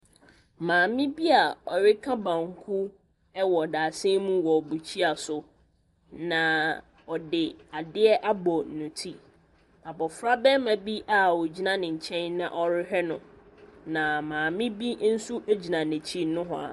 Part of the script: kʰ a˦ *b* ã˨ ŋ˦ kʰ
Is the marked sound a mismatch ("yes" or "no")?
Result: no